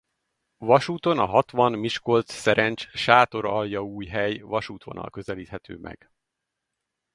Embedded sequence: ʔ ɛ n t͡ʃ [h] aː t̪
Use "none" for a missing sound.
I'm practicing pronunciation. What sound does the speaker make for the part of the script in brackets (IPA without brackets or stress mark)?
ʃ